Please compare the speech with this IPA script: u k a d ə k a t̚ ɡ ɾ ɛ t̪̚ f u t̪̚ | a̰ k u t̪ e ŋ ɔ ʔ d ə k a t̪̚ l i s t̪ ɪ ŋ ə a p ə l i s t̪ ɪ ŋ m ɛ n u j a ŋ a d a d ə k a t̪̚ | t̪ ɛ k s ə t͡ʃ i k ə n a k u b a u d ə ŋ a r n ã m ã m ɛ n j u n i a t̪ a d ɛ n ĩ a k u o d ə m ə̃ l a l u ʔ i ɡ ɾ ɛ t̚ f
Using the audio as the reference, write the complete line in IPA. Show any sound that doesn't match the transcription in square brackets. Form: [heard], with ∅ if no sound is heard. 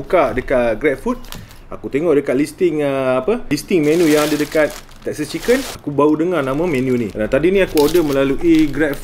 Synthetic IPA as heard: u k a d ə k a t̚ ɡ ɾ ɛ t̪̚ f u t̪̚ | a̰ k u t̪ e ŋ ɔ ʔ d ə k a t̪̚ l i s t̪ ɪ ŋ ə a p ə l i s t̪ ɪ ŋ m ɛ n u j a ŋ a d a d ə k a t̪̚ | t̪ ɛ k s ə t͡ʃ i k ə n a k u b a u d ə ŋ a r n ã m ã m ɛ n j u n i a t̪ a d [i] n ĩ a k u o d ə m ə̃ l a l u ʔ i ɡ ɾ ɛ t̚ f

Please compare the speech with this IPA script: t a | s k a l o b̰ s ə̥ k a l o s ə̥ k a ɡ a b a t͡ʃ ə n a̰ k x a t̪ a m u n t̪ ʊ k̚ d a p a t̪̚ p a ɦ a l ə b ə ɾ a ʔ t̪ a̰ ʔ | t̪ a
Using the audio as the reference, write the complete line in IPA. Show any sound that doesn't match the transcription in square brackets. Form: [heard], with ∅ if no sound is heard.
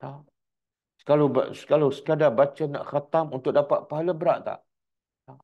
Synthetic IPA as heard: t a | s k a l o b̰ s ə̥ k a l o s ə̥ k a [d] a b a t͡ʃ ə n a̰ [ʔ] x a t̪ a m u n t̪ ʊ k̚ d a p a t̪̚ p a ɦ a l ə b ə ɾ a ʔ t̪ a̰ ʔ | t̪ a

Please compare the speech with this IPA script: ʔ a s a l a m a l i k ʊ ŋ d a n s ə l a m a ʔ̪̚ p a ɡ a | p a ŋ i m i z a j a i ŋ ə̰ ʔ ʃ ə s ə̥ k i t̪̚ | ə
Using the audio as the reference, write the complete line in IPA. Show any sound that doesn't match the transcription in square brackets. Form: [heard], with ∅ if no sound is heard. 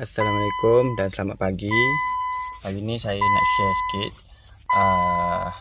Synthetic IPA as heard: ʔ a s a l a m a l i k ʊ [m] d a n s ə l a m a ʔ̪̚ p a ɡ [i] | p a [ɡ] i [n] i [s] a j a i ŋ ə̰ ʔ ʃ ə s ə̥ k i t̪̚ | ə

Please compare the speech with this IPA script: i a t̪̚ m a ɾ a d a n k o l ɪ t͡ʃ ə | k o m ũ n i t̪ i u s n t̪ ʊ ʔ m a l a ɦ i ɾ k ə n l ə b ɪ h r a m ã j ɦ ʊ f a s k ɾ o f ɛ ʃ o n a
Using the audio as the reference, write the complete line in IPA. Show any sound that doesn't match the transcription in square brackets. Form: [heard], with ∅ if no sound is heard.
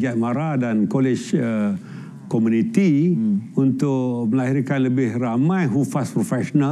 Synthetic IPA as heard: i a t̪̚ m a ɾ a d a n k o l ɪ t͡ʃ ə | k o m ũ n i t̪ i u [∅] n t̪ ʊ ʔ m [ə] l a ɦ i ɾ k [a] n l ə b ɪ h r a m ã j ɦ [u] f a s [p] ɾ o f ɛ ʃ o n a

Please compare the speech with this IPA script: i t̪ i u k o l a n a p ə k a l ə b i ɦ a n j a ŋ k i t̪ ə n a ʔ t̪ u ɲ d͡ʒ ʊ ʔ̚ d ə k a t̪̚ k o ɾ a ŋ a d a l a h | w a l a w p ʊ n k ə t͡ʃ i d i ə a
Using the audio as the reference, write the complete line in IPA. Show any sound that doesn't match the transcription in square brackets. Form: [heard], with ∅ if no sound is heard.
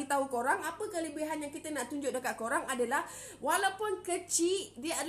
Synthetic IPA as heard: i t̪ [a] u k o [ɾ] a [ŋ] a p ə k [ə] l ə b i ɦ a n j a ŋ k i t̪ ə n a ʔ t̪ u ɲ d͡ʒ ʊ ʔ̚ d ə k a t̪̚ k o ɾ a ŋ a d a l a h | w a l a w p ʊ n k ə t͡ʃ i d i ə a

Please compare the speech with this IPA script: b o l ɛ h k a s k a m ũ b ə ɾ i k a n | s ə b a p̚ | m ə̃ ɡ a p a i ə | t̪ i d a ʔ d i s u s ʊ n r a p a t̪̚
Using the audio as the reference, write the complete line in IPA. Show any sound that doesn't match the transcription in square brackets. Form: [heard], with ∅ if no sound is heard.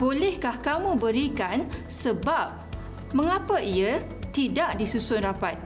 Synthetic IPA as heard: b o l ɛ h k a [h] k a m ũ b ə ɾ i k a n | s ə b a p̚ | m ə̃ [ŋ] a p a i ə | t̪ i d a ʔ d i s u s ʊ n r a p a t̪̚

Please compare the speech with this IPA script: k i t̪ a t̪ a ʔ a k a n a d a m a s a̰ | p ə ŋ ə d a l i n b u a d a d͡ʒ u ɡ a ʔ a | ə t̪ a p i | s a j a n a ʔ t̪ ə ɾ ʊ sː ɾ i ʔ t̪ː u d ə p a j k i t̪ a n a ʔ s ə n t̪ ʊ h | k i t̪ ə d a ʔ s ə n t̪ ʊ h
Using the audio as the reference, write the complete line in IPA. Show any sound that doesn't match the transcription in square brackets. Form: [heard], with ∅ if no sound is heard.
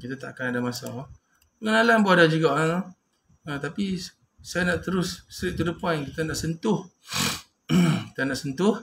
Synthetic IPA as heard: k i t̪ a t̪ a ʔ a k a n a d a m a s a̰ | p ə ŋ ə [n] a l [a] n b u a d a d͡ʒ u ɡ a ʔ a | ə t̪ a p i | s a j a n a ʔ t̪ ə ɾ ʊ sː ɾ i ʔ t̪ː u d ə p a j k i t̪ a n a ʔ s ə n t̪ ʊ h | k i t̪ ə [n] a ʔ s ə n t̪ ʊ h

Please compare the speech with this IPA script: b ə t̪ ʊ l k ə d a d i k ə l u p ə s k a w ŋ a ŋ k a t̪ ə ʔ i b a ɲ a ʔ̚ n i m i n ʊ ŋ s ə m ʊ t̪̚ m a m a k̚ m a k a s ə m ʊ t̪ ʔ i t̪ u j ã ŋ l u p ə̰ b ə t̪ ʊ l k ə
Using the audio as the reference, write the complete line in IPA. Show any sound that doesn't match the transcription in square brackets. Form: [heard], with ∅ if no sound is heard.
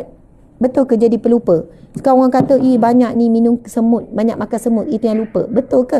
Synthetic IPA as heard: b ə t̪ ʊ l k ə [d͡ʒ] a d i [p] ə l u p ə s k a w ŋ a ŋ k a t̪ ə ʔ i b a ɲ a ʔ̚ n i m i n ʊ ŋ s ə m ʊ t̪̚ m a [ɲ] a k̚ m a k a s ə m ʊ t̪ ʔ i t̪ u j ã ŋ l u p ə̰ b ə t̪ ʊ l k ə

